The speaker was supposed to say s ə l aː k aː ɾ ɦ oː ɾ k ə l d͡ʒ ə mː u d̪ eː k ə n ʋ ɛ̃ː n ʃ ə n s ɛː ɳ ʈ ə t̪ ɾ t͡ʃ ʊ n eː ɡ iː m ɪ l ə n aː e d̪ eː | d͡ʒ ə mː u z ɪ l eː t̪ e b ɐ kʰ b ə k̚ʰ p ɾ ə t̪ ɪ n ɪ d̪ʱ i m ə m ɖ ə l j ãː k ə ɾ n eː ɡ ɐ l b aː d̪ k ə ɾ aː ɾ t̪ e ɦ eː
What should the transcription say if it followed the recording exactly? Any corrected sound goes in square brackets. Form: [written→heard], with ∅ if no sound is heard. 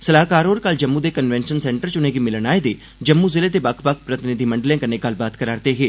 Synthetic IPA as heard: s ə l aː k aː ɾ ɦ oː ɾ k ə l d͡ʒ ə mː u d̪ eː k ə n ʋ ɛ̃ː n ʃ ə n s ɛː ɳ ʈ ə [t̪→∅] ɾ t͡ʃ ʊ n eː ɡ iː m ɪ l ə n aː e d̪ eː | d͡ʒ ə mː u z ɪ l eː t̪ e b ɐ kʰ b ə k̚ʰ p ɾ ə t̪ ɪ n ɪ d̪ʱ i m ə [m→ɳ] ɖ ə l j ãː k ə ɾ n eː ɡ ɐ l b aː [d̪→t̪] k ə ɾ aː ɾ t̪ e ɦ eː